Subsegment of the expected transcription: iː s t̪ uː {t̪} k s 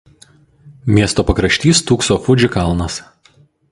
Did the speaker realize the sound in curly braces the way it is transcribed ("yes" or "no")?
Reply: no